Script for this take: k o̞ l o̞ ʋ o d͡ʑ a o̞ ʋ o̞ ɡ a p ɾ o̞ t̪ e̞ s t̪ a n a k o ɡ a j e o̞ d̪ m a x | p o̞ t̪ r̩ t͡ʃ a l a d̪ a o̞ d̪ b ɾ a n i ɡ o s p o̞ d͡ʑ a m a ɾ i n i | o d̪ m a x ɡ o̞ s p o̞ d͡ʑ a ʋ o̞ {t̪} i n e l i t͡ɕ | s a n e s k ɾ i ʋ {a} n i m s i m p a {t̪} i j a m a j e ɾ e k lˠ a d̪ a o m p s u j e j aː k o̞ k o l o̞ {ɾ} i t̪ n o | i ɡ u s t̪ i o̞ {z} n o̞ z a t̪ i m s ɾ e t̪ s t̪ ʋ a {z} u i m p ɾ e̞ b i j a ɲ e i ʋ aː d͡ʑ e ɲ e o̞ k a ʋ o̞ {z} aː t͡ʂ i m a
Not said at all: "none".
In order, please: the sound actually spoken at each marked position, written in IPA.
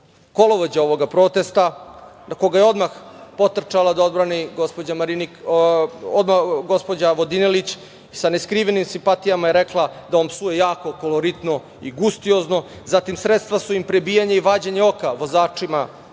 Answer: d̪, e, t̪, ɾ, z, s, z

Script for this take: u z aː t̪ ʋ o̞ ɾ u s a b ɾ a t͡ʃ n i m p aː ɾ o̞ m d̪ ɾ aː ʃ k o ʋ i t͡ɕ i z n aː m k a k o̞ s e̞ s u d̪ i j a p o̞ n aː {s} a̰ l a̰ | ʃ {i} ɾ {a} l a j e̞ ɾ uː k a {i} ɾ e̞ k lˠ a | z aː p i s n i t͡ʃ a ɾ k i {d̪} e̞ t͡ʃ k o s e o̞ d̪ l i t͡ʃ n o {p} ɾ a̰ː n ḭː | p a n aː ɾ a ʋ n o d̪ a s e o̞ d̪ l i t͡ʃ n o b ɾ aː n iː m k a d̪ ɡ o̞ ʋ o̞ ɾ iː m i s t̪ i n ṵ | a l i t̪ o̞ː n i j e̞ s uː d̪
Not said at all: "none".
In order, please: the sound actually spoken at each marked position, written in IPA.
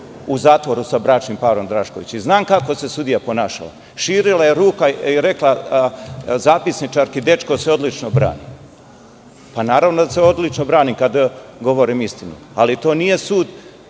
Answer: ʃ, iː, i, i, d̪, b

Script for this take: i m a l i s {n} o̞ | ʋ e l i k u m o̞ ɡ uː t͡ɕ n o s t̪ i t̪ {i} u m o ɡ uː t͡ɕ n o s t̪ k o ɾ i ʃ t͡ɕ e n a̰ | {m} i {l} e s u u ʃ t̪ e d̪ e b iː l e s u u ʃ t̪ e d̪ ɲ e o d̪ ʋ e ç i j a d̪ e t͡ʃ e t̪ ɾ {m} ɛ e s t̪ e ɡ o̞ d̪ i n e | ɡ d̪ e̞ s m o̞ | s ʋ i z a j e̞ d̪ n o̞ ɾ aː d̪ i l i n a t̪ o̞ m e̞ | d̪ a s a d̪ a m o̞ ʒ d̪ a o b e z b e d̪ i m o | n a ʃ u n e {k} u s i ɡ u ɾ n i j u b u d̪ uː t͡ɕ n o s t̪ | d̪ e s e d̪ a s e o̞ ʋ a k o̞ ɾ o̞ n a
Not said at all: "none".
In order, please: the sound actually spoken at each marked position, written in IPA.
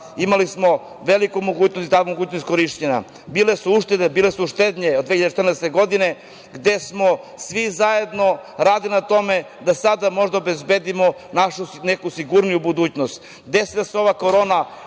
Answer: m, a, b, l, n, k

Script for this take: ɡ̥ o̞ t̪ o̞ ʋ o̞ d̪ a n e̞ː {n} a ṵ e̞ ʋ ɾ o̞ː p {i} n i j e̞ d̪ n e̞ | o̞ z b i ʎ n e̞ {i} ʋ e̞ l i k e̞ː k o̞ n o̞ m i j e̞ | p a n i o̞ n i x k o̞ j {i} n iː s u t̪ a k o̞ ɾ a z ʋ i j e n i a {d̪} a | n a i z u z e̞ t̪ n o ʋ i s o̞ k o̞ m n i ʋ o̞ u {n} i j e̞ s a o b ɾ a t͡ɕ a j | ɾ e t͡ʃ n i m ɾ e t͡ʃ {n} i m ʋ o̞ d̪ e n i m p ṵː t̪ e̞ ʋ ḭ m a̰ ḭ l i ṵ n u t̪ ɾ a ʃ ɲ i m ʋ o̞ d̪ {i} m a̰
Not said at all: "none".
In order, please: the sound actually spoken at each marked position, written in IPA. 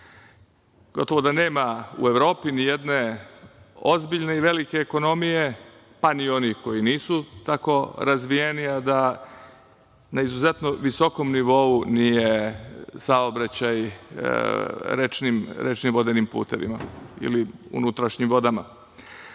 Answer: m, i, i, i, d̪, n, n, a

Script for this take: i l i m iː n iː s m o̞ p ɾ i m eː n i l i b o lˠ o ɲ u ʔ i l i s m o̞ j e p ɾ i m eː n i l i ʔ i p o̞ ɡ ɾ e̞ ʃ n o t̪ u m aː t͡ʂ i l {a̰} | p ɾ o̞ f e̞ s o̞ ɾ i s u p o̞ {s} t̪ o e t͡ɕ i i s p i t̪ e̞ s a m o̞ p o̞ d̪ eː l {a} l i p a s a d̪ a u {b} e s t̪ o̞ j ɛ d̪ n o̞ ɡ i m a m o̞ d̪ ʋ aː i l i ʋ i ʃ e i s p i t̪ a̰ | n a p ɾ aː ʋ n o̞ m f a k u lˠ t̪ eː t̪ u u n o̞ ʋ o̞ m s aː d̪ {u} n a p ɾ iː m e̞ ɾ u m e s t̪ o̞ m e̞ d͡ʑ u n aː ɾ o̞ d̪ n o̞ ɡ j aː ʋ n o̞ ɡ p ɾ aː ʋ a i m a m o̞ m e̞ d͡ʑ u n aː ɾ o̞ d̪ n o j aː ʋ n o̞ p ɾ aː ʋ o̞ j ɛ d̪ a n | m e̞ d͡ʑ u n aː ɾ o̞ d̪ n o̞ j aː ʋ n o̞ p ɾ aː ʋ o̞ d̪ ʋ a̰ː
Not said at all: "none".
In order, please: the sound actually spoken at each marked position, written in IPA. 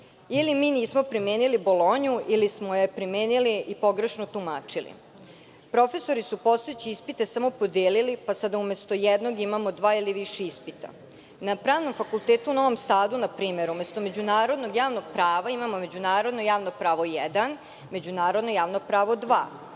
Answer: ḭ, s, i, m, u

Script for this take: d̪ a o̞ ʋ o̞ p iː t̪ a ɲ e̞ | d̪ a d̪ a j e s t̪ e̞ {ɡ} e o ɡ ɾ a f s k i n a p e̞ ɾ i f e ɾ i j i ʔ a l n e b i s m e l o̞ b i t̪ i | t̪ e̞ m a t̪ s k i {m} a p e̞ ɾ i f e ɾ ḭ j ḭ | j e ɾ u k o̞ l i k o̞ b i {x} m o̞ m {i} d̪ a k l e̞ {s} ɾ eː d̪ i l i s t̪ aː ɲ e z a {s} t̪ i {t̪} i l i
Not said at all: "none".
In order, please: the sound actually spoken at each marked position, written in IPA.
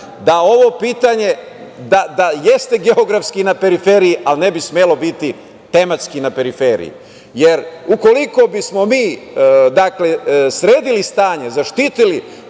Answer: ɡ, n, s, iː, s, ʃ, t̪

